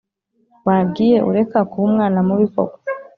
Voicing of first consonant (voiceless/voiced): voiced